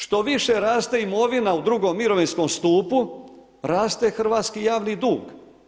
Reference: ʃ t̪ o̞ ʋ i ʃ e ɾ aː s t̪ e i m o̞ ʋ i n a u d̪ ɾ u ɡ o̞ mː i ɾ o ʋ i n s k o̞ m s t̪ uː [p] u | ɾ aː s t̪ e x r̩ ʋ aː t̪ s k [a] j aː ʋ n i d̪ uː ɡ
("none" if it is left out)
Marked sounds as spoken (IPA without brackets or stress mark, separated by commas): p, i